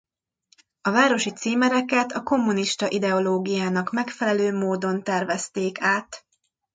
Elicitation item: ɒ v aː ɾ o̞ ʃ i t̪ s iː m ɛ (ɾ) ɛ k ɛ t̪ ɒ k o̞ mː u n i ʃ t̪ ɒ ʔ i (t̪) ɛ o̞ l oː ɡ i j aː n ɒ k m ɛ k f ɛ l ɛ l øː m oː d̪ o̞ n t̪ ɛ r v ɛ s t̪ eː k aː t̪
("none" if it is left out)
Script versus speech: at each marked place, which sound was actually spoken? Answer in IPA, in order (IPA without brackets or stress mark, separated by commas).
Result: ɾ, d̪